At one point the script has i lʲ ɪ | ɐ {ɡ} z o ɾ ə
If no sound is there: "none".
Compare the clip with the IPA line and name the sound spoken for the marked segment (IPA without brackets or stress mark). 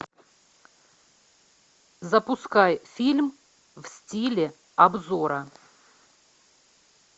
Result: b